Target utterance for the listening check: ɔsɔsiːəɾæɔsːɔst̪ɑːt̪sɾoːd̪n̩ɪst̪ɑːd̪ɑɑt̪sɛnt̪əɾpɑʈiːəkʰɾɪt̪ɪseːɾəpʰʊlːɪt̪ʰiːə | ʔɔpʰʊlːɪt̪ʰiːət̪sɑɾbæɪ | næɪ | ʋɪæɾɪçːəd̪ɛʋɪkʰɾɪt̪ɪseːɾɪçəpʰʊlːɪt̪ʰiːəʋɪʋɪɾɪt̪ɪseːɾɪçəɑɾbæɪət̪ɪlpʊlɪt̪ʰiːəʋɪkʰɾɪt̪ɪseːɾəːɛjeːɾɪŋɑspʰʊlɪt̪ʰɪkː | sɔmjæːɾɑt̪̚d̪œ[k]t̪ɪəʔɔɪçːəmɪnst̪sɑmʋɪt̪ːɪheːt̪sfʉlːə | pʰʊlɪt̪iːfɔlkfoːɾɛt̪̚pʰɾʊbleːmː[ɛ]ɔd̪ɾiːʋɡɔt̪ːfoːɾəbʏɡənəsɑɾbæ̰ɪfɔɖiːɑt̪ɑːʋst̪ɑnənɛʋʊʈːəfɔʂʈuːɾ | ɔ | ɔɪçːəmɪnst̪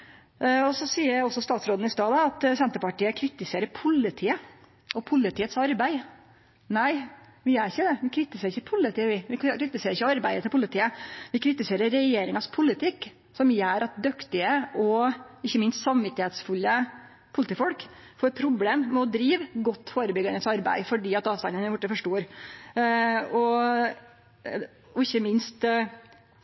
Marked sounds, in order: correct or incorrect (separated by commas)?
correct, correct